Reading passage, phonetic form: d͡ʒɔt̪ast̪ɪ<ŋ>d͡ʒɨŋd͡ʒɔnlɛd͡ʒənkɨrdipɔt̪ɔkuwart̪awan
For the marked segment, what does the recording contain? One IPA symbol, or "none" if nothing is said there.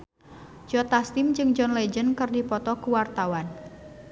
m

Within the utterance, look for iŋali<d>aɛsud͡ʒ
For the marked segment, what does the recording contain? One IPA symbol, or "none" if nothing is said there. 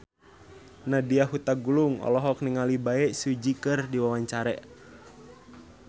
b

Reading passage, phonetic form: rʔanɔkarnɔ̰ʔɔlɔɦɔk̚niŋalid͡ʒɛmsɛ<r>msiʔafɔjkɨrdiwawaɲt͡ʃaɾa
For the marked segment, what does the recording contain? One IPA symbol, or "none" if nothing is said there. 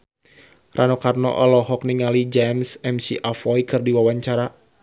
none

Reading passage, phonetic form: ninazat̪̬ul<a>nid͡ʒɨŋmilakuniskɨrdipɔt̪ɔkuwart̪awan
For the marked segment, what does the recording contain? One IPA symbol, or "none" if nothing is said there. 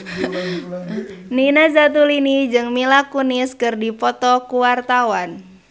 i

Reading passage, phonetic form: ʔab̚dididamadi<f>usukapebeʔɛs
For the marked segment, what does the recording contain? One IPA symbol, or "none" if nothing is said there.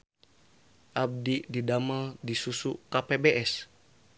s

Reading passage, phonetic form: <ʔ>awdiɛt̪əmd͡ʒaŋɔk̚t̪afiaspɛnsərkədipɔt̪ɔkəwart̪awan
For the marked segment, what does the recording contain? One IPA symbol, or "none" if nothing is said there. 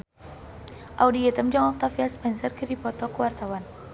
ʔ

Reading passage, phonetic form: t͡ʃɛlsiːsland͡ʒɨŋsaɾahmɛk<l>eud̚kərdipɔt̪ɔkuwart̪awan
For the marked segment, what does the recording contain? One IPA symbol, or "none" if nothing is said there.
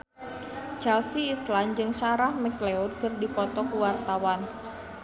l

